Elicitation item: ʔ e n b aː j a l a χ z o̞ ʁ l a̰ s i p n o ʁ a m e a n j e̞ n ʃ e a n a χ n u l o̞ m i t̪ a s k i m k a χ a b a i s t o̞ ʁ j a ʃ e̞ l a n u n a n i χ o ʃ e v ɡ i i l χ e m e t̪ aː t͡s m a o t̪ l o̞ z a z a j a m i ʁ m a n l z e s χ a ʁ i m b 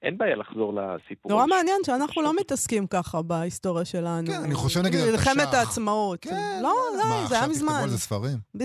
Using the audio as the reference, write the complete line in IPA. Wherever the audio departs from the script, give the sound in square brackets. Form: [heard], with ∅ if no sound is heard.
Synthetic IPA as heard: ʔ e n b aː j a l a χ z o̞ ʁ l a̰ s i p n o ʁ a m e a n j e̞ n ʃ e a n a χ n u l o̞ m i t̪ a s k i m k a χ a b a i s t o̞ ʁ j a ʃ e̞ l a n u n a n i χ o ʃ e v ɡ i i l χ e m e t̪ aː t͡s m a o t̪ l o̞ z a z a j a m i [z] m a n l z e s [f] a ʁ i m b